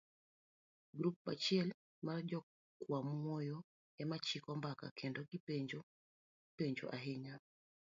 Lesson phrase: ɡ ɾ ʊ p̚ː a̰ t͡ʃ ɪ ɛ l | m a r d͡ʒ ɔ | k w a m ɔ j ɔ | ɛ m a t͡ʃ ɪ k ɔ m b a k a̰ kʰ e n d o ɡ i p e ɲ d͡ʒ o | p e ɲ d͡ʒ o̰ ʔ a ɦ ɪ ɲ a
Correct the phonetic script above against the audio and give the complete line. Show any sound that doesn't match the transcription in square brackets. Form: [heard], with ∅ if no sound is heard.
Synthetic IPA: ɡ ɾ [u] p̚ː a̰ t͡ʃ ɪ ɛ l | m a r d͡ʒ ɔ | k w a m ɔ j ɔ | ɛ m a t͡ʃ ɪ k ɔ m b a k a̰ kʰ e n d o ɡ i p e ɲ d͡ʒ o | p e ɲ d͡ʒ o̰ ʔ a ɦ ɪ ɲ a